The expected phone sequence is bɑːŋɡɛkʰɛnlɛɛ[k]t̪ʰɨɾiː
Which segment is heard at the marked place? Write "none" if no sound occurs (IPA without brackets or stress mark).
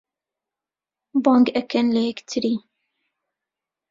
k